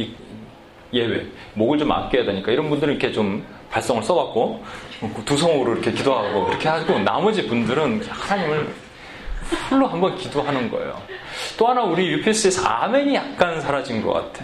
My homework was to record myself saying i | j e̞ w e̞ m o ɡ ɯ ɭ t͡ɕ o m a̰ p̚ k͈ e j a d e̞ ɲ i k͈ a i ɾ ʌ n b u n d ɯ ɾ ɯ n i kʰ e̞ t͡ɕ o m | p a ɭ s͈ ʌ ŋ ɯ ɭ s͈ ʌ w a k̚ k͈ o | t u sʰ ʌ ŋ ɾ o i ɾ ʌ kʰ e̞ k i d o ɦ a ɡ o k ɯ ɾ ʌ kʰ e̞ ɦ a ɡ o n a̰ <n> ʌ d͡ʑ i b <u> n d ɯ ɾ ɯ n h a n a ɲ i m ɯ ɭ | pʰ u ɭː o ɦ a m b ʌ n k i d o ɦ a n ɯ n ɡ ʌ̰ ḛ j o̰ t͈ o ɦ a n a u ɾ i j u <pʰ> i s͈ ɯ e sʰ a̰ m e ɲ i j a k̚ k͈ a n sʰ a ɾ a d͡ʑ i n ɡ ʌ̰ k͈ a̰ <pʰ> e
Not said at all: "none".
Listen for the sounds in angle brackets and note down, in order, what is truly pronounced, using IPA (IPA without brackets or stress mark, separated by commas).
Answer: m, u, pʰ, tʰ